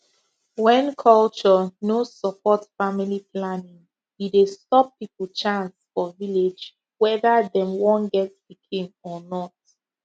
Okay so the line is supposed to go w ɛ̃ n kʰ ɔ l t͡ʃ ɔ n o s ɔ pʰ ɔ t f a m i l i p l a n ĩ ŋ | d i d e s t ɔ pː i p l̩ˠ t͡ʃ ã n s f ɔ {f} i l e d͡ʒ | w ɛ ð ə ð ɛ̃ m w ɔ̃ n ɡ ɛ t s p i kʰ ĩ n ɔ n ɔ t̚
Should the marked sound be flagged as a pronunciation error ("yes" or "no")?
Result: yes